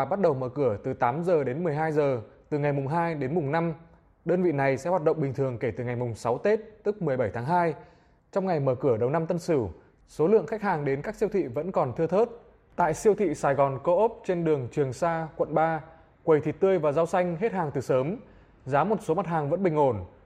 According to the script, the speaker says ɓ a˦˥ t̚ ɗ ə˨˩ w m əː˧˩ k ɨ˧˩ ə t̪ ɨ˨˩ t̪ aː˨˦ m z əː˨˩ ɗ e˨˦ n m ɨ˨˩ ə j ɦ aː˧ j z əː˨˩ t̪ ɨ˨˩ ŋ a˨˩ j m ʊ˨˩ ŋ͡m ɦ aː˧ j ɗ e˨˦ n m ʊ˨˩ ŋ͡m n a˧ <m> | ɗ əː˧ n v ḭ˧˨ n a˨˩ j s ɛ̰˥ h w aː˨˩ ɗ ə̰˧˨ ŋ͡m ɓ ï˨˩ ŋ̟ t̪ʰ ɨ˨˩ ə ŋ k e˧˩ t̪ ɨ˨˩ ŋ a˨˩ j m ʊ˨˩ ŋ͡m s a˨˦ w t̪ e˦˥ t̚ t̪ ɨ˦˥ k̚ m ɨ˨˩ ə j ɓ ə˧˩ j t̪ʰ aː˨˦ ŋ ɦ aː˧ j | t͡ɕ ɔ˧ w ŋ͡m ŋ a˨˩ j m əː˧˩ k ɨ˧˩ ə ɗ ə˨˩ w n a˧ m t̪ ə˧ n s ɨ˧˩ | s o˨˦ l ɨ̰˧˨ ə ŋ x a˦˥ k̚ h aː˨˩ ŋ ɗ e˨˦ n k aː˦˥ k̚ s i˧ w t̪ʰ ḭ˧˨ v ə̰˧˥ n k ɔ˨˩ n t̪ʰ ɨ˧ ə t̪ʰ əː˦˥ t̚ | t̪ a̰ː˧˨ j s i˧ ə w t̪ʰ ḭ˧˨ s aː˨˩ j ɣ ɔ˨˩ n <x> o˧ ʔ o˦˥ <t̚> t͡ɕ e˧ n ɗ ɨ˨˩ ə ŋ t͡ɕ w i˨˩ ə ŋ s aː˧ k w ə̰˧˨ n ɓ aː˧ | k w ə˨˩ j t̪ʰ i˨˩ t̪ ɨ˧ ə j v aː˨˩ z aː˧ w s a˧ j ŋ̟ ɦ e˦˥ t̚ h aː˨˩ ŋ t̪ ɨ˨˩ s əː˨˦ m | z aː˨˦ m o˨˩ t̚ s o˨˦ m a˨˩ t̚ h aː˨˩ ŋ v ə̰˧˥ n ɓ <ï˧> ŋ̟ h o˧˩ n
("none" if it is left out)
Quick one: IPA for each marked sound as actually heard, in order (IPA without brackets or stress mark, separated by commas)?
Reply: m, k, p̚, ï˨˩